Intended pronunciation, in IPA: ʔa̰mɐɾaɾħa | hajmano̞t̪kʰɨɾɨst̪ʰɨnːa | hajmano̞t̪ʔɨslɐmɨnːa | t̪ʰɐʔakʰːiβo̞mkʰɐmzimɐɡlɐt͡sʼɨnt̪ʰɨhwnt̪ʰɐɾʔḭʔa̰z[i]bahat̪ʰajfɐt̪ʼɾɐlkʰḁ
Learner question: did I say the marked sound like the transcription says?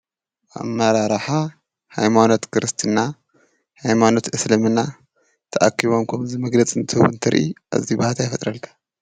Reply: yes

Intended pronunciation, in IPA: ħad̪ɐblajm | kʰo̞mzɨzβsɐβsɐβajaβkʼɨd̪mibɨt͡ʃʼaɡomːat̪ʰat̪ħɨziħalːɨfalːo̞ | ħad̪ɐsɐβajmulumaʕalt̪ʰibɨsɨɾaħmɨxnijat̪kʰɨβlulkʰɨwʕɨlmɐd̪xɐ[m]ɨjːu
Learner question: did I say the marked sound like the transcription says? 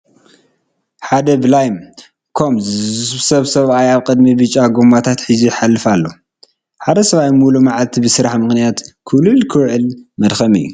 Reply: yes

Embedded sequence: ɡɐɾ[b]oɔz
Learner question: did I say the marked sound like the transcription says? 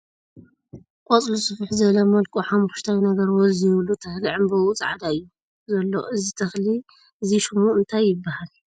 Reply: no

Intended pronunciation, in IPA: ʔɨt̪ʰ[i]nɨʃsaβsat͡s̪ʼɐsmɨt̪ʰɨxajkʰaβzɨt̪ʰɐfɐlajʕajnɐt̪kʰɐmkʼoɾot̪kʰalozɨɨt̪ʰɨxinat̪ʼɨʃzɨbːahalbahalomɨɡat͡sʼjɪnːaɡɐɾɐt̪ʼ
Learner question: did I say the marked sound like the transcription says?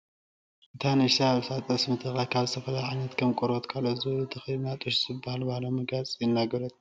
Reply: no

